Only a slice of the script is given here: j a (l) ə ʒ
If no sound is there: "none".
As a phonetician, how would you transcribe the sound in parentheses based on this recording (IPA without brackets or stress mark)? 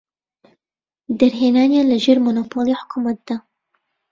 l